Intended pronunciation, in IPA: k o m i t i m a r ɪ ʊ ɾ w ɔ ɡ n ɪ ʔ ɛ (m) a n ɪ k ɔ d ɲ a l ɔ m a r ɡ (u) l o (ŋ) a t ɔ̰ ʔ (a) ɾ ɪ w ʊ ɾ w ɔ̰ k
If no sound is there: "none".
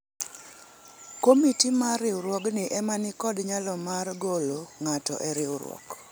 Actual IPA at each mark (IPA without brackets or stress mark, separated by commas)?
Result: m, o, ŋ, ɛ